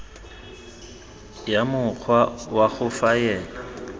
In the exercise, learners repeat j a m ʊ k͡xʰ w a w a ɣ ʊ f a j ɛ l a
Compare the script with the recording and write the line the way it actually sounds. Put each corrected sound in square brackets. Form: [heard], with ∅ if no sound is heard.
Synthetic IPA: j a m ʊ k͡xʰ w a w a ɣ ʊ f a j [ɛː] l a